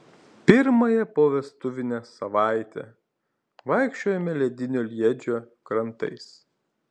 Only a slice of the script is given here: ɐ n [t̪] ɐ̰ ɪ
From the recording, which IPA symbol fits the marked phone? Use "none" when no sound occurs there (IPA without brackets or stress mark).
t̪